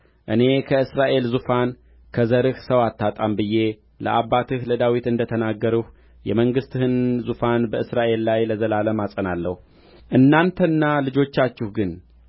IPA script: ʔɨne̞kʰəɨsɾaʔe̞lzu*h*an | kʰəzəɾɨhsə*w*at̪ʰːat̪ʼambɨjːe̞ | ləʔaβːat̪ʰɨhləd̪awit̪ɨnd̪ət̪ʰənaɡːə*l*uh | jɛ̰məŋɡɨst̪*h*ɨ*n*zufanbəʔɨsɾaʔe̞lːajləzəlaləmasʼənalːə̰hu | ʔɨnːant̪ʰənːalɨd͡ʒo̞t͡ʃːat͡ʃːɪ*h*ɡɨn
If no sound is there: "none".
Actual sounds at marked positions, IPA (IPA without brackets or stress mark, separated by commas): f, w, ɾ, h, n, h